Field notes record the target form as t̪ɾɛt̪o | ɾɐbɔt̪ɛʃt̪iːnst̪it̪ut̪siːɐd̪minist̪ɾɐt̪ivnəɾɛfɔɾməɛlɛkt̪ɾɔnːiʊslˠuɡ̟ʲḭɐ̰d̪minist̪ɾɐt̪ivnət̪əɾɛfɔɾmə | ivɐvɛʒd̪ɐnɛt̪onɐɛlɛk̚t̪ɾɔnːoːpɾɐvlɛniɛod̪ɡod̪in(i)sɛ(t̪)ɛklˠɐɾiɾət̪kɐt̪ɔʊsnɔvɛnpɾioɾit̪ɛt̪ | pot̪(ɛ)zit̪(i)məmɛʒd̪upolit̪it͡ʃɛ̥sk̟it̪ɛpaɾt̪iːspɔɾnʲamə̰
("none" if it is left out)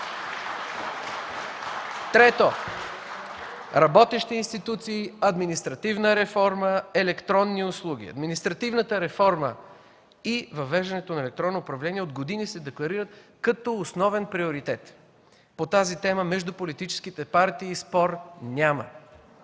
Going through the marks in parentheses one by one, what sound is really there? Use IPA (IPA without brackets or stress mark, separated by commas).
i, d̪, a, ɛ